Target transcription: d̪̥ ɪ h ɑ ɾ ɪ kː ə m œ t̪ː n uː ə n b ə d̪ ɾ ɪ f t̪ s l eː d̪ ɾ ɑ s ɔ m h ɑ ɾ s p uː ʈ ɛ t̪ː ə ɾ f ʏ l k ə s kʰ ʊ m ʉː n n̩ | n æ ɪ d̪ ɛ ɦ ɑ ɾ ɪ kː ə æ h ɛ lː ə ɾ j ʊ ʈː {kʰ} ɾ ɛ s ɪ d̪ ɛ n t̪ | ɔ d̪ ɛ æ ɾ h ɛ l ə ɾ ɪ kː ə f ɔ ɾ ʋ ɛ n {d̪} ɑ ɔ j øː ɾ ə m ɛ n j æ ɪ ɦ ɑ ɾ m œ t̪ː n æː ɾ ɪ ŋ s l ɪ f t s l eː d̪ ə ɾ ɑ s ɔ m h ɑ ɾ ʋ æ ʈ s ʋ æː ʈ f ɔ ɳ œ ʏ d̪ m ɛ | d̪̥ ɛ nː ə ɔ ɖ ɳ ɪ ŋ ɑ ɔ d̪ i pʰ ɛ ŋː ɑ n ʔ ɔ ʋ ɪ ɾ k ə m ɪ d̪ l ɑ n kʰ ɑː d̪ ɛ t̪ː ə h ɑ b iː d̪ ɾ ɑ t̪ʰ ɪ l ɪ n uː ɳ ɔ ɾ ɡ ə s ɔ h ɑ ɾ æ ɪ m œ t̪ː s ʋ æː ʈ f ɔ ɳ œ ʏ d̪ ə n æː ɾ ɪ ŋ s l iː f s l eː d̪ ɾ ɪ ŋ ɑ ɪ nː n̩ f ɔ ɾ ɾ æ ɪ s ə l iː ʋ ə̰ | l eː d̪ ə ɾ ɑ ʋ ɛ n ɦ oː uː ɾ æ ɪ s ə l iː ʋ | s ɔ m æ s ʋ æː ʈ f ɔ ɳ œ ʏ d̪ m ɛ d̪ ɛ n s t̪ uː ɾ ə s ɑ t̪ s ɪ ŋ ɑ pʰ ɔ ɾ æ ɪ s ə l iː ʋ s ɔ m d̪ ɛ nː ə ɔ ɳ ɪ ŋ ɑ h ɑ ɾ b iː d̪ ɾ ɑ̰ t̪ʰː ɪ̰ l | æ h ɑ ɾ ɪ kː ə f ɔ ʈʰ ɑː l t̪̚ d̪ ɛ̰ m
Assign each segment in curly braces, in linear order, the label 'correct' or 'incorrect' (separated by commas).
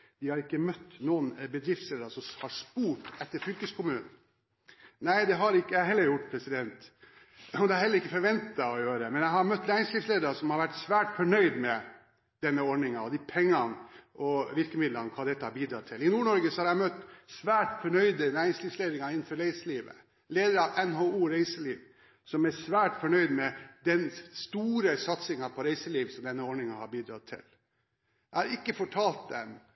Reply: incorrect, incorrect